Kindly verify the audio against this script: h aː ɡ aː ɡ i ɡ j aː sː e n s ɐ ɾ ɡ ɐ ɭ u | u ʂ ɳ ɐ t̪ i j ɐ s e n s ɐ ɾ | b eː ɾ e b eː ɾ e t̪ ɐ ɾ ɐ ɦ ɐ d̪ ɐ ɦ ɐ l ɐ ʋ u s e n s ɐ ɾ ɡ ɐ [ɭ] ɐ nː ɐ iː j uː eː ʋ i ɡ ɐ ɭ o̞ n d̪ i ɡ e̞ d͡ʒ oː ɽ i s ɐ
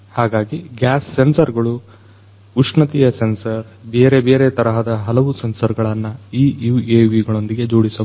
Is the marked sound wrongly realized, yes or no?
no